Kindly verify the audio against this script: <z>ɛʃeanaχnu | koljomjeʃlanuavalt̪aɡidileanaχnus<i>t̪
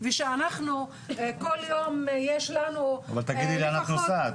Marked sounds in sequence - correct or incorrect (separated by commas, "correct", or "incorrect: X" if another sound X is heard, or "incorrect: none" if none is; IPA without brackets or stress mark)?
incorrect: v, incorrect: a